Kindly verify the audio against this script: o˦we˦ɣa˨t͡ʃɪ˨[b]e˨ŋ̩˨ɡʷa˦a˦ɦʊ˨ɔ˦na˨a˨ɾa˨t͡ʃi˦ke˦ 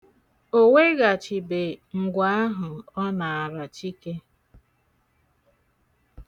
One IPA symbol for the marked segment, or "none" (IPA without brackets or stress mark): b